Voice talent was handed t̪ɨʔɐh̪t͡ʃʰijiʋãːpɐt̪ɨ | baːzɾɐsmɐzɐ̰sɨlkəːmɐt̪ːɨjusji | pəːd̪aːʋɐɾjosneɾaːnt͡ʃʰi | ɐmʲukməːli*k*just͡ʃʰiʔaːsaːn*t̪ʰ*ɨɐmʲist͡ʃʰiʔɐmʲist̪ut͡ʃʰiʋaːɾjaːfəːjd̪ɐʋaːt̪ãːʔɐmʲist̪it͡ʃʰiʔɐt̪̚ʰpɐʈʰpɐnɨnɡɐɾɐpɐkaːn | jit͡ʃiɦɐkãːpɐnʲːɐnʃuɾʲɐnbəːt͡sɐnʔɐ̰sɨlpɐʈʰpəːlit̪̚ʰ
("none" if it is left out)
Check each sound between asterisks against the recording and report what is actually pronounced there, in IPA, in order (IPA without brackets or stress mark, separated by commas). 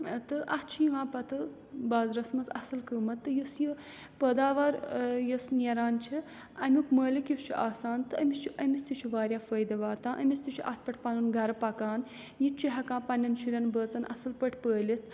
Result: k, t̪